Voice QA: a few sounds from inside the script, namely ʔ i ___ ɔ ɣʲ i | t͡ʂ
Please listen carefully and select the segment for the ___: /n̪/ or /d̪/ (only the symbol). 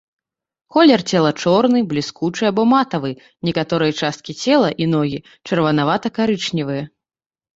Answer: n̪